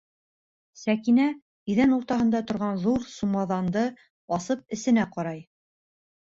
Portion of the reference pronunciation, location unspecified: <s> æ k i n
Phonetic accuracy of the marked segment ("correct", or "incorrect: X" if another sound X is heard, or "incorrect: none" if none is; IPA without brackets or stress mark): correct